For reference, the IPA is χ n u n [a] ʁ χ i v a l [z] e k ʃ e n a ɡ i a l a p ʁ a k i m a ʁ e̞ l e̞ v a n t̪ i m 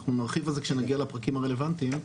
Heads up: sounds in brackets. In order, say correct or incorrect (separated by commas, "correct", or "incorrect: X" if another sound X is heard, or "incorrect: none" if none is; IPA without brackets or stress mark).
correct, correct